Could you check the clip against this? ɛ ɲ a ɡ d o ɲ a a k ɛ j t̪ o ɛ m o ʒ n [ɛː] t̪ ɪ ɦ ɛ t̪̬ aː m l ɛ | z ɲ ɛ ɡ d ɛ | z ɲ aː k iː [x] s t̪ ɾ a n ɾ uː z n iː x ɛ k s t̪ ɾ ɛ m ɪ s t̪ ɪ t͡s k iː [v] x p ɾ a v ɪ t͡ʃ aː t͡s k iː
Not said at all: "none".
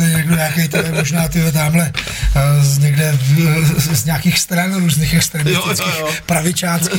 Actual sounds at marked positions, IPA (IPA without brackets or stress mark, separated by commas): aː, x, none